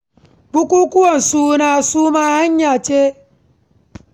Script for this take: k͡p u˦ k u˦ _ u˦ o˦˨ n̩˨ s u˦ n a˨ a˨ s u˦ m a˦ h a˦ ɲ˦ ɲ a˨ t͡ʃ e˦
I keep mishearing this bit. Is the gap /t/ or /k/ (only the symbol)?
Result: k